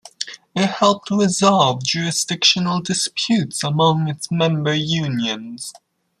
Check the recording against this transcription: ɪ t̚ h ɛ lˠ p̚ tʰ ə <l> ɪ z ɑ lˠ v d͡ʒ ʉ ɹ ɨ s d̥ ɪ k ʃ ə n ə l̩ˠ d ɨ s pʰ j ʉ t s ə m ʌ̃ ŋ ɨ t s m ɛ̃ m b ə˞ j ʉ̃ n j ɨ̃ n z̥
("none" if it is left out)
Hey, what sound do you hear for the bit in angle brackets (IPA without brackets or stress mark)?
ɹ